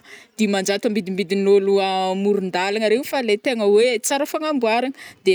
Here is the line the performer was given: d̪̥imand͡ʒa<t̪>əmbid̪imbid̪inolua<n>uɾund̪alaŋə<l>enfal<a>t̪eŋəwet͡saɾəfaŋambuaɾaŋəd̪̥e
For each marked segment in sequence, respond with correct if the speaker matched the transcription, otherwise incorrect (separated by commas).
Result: correct, incorrect, incorrect, incorrect